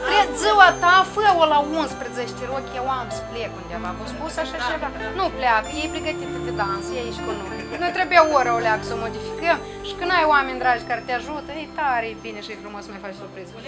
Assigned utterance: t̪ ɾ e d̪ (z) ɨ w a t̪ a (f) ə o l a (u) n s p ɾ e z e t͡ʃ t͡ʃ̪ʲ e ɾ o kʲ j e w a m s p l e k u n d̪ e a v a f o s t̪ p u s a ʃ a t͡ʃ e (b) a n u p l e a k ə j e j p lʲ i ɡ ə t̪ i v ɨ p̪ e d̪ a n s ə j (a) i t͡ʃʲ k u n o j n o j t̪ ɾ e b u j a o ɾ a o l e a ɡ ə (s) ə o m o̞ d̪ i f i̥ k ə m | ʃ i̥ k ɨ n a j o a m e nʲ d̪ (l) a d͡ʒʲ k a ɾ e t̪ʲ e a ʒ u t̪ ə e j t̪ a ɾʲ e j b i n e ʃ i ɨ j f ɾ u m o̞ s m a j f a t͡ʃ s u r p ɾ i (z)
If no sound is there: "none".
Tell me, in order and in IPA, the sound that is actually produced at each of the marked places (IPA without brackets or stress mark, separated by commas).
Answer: z, f, u, v, a, s, ɾ, z